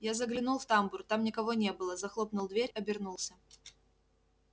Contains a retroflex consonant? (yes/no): no